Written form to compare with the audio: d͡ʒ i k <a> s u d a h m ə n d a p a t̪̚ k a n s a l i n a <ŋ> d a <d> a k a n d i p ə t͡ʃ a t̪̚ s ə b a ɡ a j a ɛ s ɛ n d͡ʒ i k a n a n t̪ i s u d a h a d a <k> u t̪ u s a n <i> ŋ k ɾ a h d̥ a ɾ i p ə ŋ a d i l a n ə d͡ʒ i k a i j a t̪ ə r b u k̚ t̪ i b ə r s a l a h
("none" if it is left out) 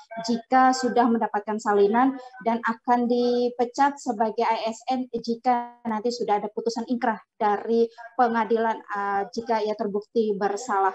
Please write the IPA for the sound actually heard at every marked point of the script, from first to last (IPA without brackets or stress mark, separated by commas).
a, n, n, p, i